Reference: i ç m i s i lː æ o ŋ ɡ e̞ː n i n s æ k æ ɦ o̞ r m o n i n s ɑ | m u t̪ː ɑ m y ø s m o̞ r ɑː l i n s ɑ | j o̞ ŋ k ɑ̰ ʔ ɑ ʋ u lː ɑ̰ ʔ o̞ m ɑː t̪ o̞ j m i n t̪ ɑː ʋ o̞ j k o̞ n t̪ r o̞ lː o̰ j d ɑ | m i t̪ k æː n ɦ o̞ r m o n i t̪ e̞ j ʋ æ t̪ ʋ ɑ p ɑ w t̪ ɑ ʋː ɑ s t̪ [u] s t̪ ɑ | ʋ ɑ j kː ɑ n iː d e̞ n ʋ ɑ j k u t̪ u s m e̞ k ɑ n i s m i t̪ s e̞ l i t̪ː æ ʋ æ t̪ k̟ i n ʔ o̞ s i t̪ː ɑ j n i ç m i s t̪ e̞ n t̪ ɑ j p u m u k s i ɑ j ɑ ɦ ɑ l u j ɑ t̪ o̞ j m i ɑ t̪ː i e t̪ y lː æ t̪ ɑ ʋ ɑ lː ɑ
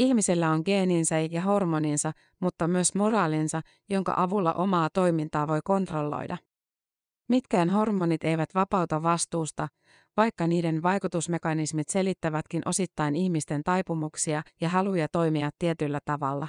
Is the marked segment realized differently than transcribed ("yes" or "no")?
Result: yes